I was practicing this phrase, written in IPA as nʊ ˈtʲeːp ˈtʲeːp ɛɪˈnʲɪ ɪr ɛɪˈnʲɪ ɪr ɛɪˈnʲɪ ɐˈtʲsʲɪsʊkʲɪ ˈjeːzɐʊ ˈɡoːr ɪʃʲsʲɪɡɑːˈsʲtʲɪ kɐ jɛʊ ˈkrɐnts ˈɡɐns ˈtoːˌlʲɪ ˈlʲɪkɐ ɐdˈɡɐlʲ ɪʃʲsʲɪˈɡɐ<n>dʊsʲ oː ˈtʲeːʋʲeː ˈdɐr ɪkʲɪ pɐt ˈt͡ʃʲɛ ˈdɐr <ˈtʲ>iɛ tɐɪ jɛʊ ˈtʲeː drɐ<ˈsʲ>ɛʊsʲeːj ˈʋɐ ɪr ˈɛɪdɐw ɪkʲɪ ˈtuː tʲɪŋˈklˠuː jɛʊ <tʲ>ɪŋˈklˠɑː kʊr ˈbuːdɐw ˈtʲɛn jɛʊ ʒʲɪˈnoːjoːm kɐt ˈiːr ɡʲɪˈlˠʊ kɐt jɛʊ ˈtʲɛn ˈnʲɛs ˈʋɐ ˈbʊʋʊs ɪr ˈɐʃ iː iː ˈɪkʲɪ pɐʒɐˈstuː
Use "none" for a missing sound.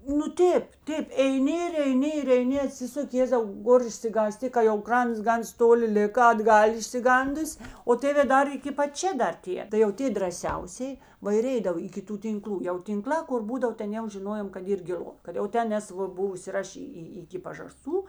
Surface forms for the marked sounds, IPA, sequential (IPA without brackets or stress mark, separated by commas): n, tʲ, sʲ, tʲ